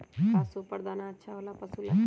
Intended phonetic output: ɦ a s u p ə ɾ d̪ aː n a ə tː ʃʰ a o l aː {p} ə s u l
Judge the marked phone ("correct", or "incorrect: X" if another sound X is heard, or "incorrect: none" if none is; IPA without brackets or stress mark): correct